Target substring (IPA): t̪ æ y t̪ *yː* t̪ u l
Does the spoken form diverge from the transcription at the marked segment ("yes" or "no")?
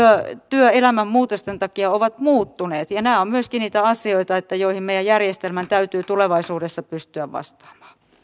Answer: no